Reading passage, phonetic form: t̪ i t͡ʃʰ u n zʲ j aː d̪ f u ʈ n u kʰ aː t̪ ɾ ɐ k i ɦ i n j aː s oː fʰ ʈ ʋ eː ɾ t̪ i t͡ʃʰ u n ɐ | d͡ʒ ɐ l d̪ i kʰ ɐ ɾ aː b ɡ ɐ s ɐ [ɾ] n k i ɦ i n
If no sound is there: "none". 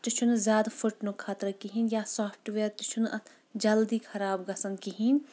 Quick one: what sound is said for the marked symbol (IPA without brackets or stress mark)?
none